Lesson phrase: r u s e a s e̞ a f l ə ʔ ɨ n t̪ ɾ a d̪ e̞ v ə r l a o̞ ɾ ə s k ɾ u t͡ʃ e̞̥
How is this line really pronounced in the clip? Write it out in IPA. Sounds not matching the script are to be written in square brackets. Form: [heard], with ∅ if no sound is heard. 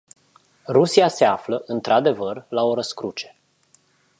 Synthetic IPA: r u s [i] a s e̞ a f l ə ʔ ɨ n t̪ ɾ a d̪ e̞ v ə r l a o̞ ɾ ə s k ɾ u t͡ʃ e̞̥